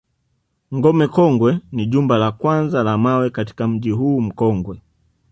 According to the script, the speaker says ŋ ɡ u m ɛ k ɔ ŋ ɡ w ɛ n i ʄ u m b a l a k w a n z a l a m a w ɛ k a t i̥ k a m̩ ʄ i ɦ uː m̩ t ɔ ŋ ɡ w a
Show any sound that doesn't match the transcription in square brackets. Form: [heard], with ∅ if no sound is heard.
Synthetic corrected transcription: ŋ ɡ [ɔ] m ɛ k ɔ ŋ ɡ w ɛ n i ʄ u m b a l a k w a n z a l a m a w ɛ k a t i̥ k a m̩ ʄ i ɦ uː m̩ [k] ɔ ŋ ɡ w [ɛ]

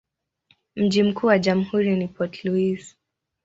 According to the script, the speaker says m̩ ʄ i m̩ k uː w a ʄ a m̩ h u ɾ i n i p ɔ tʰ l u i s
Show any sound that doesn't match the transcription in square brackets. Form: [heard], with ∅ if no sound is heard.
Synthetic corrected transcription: m̩ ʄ i m̩ k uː w a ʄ a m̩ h u ɾ i n i p ɔ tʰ l u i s

